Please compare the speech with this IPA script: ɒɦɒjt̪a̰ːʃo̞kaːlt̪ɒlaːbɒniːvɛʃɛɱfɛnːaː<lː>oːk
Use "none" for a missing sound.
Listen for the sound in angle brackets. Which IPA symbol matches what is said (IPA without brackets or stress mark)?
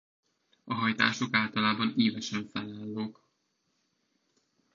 lː